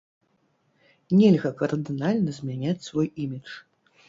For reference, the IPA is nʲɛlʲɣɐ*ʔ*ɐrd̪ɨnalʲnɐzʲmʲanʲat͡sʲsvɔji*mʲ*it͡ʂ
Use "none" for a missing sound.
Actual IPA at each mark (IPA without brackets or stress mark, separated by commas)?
k, mʲ